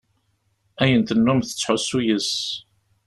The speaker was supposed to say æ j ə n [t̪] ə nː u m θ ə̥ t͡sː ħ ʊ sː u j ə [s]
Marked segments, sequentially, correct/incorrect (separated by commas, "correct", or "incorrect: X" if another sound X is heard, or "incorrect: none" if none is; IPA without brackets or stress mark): correct, correct